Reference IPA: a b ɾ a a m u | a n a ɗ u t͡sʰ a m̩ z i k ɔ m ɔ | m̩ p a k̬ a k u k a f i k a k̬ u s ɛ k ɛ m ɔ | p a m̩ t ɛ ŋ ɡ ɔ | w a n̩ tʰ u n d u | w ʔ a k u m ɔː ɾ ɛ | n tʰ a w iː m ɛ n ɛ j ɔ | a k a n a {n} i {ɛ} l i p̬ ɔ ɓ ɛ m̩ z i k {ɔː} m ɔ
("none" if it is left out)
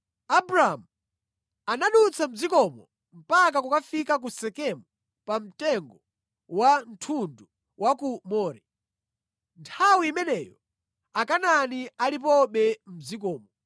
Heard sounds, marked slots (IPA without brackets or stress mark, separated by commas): n, a, ɔː